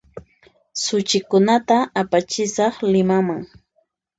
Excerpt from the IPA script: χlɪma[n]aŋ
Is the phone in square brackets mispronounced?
yes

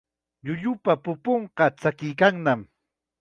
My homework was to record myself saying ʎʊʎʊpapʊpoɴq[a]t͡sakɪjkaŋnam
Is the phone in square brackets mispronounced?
yes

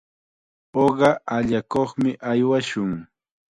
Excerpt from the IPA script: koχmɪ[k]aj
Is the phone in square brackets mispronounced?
yes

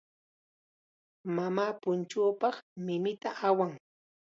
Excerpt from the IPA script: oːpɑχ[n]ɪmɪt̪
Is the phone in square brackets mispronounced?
yes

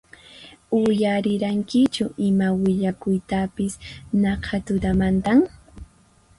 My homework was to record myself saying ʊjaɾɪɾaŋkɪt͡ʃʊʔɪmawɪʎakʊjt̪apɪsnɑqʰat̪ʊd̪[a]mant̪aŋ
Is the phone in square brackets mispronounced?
no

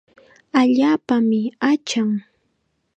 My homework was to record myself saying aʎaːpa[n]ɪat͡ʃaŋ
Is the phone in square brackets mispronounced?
yes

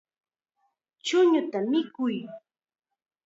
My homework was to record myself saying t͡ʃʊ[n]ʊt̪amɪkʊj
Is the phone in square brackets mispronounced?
yes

